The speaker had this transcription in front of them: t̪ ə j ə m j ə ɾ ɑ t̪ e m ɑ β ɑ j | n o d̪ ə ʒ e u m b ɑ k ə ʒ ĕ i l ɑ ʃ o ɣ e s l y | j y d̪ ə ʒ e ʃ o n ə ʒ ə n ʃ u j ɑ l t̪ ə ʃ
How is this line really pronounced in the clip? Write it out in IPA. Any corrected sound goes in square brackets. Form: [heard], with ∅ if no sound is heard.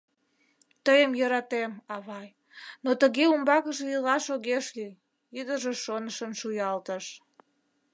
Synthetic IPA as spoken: t̪ ə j ə m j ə ɾ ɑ t̪ e m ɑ β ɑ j | n o [t̪] ə [ɣ] e u m b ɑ k ə ʒ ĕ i l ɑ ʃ o ɣ e [ʃ] l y | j y d̪ ə ʒ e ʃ o n ə [ʃ] ə n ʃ u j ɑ l t̪ ə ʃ